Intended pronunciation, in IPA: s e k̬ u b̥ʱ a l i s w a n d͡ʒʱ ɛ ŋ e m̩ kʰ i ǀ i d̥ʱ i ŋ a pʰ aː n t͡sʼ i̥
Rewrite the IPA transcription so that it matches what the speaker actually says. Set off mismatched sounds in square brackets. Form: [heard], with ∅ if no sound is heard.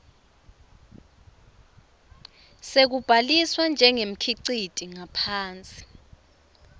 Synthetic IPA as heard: s e k̬ u b̥ʱ a l i s w a n d͡ʒʱ ɛ ŋ e m̩ kʰ i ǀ i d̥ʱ i ŋ a pʰ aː n t͡sʼ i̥